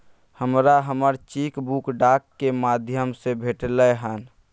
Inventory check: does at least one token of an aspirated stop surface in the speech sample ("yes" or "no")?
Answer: no